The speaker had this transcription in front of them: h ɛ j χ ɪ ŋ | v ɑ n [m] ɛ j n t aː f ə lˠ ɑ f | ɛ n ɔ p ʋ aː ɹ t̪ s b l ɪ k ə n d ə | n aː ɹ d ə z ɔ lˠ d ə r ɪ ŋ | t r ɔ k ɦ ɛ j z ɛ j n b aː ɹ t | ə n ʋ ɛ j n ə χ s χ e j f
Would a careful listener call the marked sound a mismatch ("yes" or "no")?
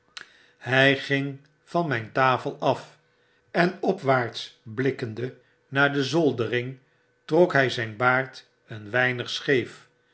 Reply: no